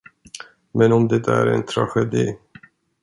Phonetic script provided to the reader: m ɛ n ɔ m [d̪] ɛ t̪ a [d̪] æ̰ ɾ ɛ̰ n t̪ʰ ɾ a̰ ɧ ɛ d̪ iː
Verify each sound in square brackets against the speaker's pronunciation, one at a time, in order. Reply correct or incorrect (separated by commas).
correct, incorrect